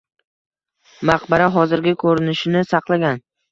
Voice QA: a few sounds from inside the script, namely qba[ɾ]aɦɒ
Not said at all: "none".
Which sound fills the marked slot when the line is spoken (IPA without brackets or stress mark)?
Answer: ɾ